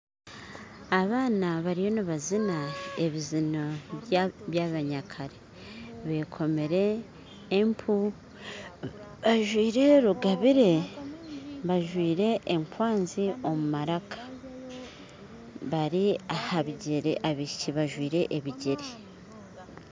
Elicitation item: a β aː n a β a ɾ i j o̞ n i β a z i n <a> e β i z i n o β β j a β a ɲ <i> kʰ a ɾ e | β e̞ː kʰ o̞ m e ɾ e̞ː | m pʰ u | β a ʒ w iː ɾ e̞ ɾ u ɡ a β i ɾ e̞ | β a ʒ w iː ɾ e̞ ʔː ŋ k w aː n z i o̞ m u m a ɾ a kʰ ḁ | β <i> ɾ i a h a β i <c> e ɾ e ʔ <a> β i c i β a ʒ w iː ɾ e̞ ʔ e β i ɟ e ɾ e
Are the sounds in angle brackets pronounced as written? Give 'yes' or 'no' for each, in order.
yes, no, no, no, yes

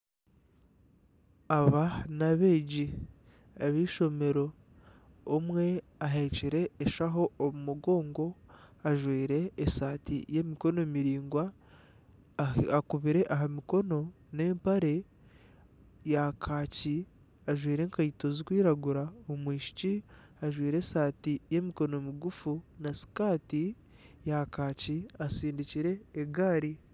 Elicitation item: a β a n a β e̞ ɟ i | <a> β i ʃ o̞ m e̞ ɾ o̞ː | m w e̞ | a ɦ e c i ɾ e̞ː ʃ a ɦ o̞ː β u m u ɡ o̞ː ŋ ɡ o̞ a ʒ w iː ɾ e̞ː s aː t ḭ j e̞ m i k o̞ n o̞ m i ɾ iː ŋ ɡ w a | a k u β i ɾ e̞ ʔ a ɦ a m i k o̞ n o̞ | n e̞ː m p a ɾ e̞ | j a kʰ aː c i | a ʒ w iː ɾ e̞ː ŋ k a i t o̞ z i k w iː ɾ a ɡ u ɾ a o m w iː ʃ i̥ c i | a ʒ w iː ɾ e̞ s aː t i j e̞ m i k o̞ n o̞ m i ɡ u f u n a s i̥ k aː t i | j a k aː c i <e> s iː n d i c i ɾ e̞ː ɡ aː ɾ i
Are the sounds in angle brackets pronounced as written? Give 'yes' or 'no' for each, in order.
yes, no

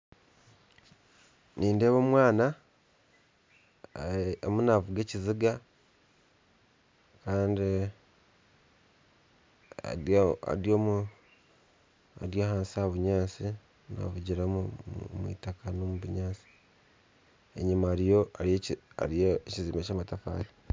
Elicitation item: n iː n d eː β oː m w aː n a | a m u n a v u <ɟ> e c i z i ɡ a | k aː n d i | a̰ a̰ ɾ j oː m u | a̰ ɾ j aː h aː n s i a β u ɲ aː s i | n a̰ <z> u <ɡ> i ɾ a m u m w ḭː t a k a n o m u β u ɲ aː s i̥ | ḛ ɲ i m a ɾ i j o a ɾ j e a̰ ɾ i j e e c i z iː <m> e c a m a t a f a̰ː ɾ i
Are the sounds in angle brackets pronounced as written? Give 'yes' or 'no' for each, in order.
no, no, no, yes

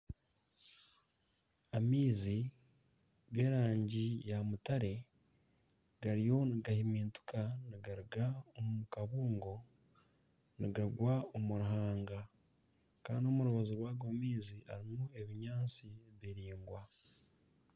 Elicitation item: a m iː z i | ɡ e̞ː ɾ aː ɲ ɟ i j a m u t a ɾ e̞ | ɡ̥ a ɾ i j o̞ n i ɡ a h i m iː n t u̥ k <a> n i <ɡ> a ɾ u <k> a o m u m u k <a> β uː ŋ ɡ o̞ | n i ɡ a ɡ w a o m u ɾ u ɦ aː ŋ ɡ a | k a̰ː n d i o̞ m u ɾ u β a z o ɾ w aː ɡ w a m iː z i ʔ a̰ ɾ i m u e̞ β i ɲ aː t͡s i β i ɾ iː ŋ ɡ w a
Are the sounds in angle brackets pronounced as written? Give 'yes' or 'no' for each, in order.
yes, yes, no, yes

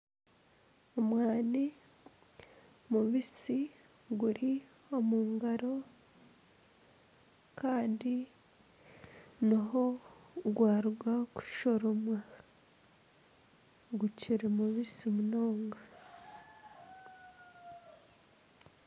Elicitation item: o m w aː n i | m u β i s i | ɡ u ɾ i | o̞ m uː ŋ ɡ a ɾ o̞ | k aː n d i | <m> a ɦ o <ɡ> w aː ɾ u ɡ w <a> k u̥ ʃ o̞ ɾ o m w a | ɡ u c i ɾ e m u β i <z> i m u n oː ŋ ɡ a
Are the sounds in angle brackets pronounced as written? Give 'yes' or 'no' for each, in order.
no, yes, yes, no

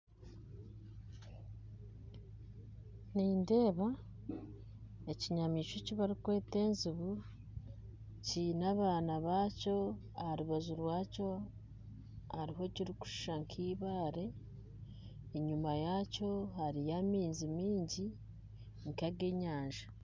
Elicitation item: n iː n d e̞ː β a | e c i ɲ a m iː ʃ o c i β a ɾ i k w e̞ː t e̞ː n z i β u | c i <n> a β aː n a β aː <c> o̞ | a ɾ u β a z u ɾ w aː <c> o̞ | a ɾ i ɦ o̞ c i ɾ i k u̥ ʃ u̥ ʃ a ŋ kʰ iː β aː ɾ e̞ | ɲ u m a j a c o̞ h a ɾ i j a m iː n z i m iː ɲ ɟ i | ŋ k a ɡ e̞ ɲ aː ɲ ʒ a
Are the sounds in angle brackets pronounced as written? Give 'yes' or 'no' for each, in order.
yes, yes, yes

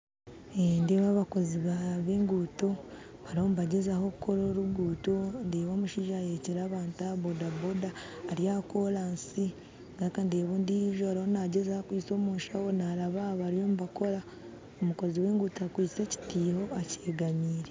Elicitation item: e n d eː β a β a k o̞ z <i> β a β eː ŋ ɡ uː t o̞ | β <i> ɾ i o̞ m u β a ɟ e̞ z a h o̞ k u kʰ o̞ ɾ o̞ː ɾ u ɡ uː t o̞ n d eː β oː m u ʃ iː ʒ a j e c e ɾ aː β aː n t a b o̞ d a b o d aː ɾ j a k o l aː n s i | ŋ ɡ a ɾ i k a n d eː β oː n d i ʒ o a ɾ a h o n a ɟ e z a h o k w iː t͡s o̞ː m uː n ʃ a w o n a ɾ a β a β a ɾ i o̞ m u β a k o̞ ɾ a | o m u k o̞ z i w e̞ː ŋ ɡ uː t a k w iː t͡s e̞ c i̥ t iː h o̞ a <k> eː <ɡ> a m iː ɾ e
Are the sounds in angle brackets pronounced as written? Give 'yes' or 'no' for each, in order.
yes, no, no, yes

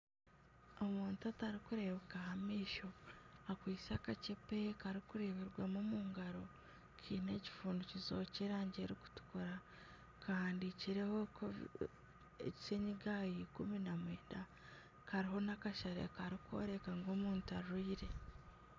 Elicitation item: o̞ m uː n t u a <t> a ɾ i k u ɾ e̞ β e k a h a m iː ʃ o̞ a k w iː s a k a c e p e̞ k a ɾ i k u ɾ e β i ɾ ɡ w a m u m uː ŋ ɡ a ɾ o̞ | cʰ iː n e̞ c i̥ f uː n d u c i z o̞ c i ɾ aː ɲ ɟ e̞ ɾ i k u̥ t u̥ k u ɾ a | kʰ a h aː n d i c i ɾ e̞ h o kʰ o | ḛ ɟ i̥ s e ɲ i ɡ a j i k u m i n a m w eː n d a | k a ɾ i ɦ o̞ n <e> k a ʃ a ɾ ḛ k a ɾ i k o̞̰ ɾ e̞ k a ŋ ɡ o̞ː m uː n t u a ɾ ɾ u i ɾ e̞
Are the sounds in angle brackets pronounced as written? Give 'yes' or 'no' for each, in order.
yes, no

